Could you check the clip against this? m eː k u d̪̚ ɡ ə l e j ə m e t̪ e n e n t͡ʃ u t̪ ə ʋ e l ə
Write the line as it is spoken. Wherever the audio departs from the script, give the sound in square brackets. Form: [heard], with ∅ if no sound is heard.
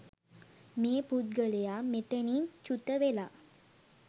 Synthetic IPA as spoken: m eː [p] u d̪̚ ɡ ə l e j [a] m e t̪ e n [i] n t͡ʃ u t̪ ə ʋ e l [a]

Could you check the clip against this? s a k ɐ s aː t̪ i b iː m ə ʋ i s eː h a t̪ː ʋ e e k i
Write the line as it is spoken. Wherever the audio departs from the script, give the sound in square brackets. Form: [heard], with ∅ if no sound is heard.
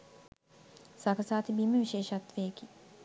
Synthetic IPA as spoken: s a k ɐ s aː t̪ i b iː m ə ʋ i [ʃ] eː [ʃ] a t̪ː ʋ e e k i

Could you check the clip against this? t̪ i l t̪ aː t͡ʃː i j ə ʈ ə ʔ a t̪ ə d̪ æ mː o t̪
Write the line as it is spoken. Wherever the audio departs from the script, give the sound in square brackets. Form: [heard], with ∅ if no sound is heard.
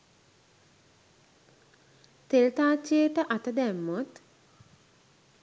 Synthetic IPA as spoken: t̪ [e] l t̪ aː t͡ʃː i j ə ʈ ə ʔ a t̪ ə d̪ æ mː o t̪

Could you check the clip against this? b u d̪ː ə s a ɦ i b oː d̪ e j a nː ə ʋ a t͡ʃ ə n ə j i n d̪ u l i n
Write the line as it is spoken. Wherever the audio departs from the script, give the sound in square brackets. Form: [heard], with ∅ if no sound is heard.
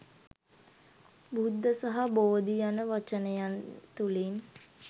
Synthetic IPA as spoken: b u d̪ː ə s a ɦ [a] b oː d̪ [i] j a [n] ə ʋ a t͡ʃ ə n ə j [a] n [t̪] u l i n

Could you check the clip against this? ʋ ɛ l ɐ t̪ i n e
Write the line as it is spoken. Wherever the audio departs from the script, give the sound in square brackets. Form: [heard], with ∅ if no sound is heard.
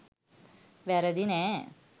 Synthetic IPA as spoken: ʋ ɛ [ɾ] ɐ [d̪] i n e

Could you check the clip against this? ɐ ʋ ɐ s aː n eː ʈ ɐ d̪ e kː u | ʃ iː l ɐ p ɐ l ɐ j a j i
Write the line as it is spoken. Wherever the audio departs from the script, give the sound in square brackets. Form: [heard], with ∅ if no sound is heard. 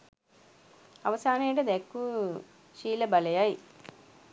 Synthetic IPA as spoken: ɐ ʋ ɐ s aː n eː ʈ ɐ d̪ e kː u | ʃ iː l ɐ [b] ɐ l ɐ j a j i

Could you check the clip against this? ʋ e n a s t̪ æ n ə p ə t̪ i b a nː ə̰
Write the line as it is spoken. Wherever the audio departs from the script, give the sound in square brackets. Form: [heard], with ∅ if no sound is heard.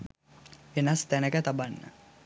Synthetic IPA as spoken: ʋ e n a s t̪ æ n ə [k] ə t̪ [a] b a nː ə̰

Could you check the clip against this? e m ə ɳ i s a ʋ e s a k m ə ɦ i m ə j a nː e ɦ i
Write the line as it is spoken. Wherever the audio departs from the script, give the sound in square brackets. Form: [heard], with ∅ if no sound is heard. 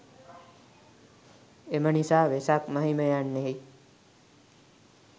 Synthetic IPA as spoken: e m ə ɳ i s a ʋ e s a k m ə ɦ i m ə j a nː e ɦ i

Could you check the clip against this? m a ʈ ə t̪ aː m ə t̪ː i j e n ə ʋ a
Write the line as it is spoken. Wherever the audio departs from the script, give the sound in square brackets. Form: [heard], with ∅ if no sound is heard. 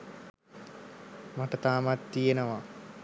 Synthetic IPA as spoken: m a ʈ ə t̪ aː m [a] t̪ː i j e n ə ʋ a

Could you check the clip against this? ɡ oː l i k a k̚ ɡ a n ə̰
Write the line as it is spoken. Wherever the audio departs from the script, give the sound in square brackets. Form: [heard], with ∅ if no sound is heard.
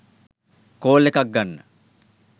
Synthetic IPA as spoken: [k] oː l [e] k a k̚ ɡ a [nː] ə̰

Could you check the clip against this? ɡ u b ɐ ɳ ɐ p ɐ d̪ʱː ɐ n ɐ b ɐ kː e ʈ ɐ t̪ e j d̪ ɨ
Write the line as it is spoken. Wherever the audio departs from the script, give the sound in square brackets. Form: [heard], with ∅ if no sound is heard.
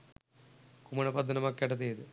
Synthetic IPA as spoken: [k] u [m] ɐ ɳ ɐ p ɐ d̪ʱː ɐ n ɐ [m] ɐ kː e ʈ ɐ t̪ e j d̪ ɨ

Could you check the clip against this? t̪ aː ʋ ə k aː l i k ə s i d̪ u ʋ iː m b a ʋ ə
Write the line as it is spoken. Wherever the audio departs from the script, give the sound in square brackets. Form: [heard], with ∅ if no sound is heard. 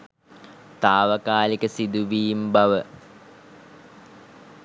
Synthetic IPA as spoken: t̪ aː ʋ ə k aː l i k ə s i d̪ u ʋ iː m b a ʋ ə

